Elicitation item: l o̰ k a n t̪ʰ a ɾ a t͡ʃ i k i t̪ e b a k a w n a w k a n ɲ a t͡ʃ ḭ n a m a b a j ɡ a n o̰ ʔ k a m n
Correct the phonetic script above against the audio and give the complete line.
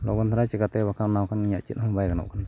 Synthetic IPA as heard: l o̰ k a n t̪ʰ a ɾ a t͡ʃ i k a t̪ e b a k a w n a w k a n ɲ a t͡ʃ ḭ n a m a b a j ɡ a n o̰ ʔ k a n